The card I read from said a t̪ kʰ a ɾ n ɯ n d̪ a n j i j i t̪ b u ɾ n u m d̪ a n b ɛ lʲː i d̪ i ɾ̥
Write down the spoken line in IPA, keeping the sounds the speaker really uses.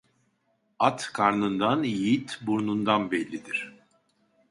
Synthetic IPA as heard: a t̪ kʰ a ɾ n ɯ n d̪ a n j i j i t̪ b u ɾ n u n d̪ a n b ɛ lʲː i d̪ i ɾ̥